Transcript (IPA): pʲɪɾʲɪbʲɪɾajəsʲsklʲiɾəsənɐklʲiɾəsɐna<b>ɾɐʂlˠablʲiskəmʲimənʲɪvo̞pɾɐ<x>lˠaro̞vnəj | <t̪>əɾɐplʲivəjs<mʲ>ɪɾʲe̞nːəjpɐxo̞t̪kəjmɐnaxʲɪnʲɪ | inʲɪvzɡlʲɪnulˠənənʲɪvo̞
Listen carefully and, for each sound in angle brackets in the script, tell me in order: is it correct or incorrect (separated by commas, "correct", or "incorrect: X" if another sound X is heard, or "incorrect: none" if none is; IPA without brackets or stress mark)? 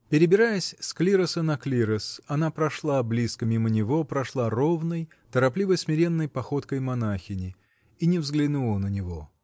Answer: incorrect: p, incorrect: ʂ, correct, correct